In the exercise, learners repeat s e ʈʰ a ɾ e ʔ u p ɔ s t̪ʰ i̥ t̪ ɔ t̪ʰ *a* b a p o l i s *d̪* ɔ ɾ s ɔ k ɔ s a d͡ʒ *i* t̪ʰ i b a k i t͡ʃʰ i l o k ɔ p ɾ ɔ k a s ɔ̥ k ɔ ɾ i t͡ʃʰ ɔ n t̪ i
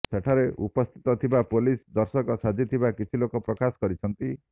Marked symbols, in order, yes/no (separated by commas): no, yes, yes